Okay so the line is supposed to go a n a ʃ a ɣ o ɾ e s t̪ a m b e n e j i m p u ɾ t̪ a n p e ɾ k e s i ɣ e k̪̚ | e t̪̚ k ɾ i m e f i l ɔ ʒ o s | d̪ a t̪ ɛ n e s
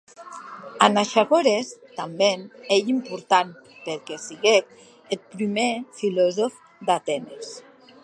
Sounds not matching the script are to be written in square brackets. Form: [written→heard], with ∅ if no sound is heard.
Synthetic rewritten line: a n a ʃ a ɣ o ɾ e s t̪ a m b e n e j i m p u ɾ t̪ a n p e ɾ k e s i ɣ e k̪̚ | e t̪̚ [k→p] ɾ i m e f i l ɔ [ʒ→z] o [s→f] | d̪ a t̪ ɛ n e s